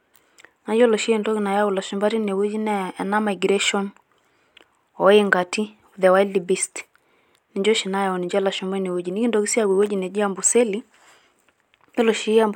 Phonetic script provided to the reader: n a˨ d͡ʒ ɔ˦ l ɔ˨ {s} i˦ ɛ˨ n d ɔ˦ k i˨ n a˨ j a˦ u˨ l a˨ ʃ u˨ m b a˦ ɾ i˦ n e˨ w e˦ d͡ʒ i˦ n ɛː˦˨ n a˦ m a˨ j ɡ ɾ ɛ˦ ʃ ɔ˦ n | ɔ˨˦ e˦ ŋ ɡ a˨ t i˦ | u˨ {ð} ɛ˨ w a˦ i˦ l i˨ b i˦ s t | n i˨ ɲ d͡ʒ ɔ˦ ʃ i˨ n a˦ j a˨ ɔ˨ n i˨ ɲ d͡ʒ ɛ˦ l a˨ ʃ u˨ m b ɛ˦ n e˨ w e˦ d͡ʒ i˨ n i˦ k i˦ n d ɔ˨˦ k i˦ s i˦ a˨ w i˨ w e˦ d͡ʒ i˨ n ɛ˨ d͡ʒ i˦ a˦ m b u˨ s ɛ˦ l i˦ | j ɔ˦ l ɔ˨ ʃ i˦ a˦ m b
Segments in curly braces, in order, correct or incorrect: incorrect: ʃ, correct

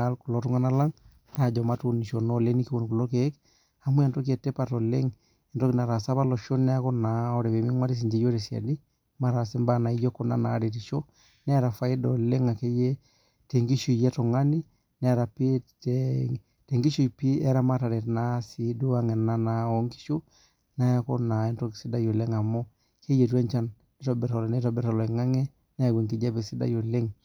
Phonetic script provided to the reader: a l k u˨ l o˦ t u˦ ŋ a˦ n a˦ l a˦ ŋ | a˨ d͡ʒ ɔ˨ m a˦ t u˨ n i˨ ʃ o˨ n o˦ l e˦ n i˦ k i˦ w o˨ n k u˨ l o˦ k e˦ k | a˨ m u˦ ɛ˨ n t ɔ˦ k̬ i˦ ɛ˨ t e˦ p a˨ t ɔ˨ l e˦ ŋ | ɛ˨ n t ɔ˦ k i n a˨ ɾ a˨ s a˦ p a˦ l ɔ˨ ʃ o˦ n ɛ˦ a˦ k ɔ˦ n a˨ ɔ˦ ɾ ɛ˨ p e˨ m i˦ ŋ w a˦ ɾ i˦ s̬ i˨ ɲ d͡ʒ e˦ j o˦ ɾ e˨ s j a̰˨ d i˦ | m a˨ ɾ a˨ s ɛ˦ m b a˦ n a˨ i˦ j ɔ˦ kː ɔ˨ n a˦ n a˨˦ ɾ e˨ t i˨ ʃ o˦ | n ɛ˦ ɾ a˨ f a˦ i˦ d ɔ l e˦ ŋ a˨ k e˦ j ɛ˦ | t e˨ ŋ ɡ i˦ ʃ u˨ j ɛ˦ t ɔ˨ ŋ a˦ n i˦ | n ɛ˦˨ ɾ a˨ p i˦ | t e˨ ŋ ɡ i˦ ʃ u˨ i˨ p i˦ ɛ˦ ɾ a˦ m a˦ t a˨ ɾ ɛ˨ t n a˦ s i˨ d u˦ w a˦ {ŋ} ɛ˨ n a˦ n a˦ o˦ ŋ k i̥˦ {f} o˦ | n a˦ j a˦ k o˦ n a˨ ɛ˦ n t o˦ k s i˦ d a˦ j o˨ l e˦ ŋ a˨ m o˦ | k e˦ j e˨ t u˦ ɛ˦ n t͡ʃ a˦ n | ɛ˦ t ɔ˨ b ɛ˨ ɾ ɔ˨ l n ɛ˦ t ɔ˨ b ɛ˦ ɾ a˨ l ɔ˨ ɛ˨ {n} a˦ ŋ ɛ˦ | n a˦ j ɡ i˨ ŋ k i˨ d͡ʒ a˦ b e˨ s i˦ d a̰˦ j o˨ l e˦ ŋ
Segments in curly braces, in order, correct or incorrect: correct, incorrect: ʃ, incorrect: ŋ

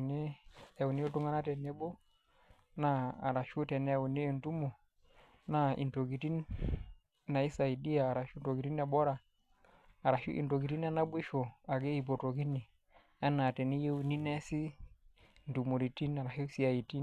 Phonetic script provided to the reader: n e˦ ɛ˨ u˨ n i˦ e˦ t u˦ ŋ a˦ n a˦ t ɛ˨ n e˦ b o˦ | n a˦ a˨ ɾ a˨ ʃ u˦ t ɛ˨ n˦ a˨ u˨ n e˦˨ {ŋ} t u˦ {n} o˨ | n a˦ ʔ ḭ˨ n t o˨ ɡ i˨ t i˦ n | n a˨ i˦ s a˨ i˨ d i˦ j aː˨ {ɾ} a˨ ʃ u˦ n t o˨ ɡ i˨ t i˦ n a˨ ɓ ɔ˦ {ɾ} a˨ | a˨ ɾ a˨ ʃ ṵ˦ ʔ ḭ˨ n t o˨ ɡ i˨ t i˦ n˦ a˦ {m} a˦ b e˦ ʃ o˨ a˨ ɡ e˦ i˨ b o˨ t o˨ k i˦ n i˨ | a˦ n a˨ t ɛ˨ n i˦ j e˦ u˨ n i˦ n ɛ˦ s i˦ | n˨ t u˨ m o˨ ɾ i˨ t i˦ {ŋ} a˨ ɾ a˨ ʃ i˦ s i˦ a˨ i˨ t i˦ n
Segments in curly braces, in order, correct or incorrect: incorrect: n, incorrect: m, correct, correct, incorrect: n, incorrect: n

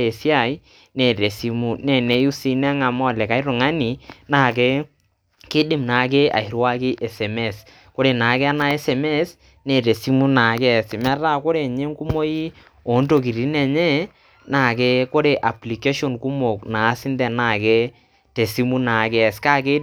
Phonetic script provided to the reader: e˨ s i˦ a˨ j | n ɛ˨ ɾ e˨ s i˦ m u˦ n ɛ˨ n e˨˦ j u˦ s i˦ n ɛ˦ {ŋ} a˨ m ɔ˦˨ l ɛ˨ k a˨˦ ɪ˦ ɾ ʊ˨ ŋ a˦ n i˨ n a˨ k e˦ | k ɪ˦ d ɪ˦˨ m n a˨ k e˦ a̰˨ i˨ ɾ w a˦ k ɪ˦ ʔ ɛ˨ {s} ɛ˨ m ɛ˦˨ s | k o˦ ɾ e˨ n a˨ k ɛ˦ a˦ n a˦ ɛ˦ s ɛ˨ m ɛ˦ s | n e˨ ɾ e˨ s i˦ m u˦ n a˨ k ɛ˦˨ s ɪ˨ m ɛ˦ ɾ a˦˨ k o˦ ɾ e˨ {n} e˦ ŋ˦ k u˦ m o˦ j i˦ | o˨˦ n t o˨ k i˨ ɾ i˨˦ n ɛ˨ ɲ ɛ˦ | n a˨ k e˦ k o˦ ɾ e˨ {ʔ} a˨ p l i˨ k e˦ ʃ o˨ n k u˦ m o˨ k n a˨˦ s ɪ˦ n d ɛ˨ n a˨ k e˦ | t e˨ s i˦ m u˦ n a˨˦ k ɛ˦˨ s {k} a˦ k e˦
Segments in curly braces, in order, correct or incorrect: correct, correct, incorrect: ɲ, correct, correct

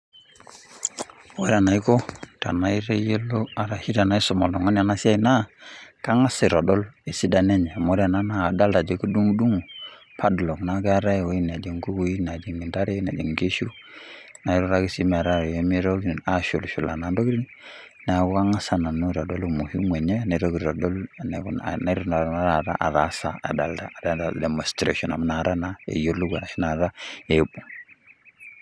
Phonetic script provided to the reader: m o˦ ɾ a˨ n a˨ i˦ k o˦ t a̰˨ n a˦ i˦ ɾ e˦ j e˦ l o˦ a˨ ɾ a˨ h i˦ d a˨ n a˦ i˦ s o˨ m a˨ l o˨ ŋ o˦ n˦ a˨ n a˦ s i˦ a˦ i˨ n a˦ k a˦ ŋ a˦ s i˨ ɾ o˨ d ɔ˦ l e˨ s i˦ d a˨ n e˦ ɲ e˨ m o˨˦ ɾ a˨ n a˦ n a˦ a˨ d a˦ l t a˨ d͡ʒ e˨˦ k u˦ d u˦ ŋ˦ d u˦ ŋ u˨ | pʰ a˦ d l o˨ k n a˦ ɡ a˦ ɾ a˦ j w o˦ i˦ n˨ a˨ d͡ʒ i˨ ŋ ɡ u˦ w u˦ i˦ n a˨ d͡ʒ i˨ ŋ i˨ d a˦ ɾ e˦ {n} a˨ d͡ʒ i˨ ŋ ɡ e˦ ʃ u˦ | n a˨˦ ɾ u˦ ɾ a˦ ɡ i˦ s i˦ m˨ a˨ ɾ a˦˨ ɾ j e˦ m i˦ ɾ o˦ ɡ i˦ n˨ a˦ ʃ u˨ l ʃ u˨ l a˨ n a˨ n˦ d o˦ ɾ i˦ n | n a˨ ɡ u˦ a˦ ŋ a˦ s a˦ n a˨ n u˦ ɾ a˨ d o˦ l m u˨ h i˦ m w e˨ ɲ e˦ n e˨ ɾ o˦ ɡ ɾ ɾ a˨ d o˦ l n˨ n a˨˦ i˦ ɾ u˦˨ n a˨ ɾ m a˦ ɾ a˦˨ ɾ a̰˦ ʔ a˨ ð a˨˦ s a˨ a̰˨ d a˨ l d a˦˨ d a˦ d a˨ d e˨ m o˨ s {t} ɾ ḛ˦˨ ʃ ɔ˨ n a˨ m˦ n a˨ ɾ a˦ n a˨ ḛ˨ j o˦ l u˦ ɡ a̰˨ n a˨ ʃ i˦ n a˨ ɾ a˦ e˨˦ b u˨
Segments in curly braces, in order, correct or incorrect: correct, correct

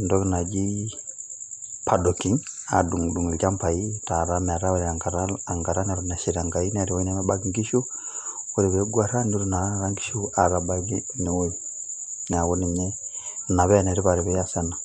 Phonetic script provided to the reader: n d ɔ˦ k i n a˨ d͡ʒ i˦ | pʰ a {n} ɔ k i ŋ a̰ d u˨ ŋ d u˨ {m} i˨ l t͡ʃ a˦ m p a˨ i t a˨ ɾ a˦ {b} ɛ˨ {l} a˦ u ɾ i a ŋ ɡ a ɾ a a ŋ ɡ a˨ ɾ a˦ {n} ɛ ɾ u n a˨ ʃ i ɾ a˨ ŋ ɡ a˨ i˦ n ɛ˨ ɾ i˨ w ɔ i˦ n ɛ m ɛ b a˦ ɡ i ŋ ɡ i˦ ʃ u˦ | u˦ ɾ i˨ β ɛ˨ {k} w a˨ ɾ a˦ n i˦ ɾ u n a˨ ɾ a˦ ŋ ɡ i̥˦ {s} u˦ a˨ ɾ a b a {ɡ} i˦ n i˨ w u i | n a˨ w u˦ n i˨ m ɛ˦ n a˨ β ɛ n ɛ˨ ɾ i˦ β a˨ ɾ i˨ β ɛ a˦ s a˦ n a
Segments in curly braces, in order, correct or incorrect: incorrect: d, incorrect: ŋ, incorrect: m, incorrect: ɾ, correct, incorrect: ɡ, incorrect: ʃ, correct

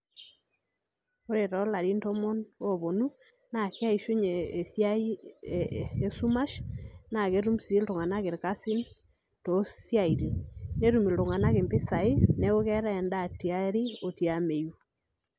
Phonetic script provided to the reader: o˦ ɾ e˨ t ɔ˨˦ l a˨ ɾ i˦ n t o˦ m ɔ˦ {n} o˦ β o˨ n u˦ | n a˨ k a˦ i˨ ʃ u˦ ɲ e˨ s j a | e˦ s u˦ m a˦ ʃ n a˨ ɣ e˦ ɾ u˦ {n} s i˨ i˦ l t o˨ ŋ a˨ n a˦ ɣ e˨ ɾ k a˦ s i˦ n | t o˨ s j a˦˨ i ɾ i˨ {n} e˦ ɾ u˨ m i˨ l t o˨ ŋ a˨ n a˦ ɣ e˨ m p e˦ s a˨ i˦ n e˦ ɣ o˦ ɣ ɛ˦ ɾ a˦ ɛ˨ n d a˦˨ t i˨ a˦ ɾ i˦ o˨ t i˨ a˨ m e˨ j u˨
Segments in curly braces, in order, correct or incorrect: correct, incorrect: m, correct

